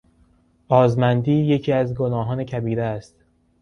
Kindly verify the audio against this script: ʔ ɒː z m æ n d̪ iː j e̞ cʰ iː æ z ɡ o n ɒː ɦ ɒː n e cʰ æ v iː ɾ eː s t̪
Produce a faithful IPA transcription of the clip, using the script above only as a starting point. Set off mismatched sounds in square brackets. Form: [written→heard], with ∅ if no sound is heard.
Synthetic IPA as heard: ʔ ɒː z m æ n d̪ iː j e̞ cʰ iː æ z ɡ o n ɒː ɦ ɒː n e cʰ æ [v→b] iː ɾ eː s t̪